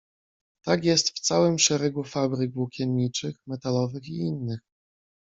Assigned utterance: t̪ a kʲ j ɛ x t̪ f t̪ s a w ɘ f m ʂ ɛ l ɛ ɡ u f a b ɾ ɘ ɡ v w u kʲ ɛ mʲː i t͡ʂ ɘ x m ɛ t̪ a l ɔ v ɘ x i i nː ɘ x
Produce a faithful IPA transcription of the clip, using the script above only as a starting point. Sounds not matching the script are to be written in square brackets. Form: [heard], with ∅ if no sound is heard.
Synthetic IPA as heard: t̪ a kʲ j ɛ [s] t̪ f t̪ s a w ɘ [∅] m ʂ ɛ [ɾ] ɛ ɡ u f a b ɾ ɘ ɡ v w u kʲ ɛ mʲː i t͡ʂ ɘ x m ɛ t̪ a l ɔ v ɘ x i i nː ɘ x